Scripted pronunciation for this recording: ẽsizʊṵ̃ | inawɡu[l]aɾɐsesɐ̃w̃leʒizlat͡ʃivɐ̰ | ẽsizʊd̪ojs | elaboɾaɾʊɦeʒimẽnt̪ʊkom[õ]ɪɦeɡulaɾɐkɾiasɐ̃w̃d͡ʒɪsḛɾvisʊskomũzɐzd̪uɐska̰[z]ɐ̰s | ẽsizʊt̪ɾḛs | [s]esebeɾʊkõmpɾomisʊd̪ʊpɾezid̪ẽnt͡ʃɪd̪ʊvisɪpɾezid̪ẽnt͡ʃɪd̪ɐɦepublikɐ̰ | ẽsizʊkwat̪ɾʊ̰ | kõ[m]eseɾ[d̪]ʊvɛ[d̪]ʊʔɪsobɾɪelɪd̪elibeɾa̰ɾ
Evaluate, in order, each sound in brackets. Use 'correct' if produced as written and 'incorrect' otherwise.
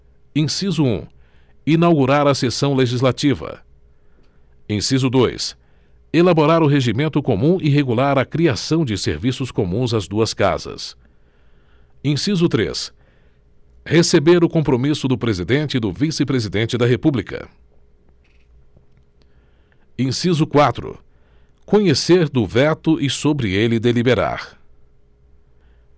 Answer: incorrect: ɾ, incorrect: ũ, correct, incorrect: h, incorrect: ɲ, correct, incorrect: t̪

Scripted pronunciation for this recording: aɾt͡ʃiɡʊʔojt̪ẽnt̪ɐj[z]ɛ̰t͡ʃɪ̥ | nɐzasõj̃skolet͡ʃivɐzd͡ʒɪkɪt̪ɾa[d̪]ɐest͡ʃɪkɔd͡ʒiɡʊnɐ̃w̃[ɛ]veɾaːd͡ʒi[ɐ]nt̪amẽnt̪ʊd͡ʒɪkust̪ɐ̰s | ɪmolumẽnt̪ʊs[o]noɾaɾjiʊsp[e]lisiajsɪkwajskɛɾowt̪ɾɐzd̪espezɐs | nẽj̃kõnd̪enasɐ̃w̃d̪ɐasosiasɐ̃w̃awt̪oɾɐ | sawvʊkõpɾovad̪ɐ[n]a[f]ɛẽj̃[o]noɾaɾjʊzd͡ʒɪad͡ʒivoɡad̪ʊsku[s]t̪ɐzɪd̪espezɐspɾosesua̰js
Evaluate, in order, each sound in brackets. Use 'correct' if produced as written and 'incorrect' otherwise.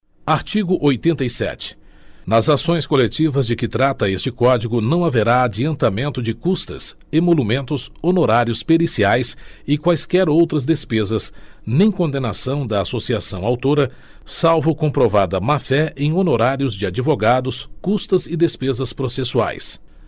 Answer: incorrect: s, incorrect: t̪, incorrect: a, incorrect: ɐ̃, correct, correct, incorrect: m, correct, correct, correct

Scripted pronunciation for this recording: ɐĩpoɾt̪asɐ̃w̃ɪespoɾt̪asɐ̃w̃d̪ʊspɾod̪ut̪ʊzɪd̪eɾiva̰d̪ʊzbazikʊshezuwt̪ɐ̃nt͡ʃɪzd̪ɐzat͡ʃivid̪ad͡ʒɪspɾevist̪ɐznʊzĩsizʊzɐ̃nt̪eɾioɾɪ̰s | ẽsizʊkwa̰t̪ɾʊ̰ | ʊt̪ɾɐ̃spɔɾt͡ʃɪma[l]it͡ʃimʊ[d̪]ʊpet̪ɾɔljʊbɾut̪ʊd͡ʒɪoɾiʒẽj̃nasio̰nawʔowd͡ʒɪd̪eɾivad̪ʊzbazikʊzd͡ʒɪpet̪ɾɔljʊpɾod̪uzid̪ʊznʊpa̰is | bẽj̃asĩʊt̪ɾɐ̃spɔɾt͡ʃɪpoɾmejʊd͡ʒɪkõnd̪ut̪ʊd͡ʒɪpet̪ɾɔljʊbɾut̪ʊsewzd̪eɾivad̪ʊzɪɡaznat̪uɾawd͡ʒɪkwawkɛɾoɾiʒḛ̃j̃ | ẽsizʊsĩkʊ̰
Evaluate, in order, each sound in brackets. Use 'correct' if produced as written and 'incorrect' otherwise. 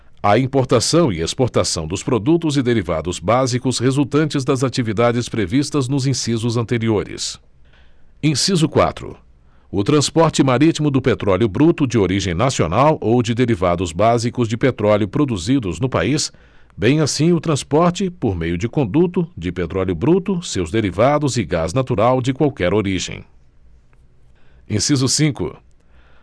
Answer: incorrect: ɾ, correct

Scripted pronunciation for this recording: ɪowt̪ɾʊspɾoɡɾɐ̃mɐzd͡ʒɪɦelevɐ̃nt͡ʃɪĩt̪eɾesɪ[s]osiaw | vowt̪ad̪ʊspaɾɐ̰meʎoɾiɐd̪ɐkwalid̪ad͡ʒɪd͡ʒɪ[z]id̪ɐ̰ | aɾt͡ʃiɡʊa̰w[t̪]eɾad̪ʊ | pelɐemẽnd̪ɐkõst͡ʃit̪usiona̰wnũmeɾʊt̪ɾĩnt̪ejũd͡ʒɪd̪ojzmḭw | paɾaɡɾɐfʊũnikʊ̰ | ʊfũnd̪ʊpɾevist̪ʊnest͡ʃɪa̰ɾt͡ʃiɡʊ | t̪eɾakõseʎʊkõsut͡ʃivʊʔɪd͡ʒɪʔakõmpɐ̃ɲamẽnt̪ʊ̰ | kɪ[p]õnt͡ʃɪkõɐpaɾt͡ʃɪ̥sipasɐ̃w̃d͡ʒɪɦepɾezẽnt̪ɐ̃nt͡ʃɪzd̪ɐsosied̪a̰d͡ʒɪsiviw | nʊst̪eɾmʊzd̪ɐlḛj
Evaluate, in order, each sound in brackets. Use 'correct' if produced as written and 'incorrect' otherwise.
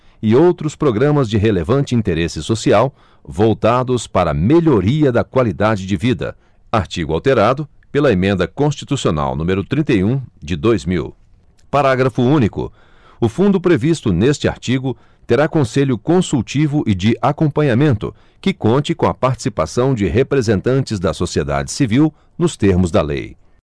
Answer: correct, incorrect: v, correct, incorrect: k

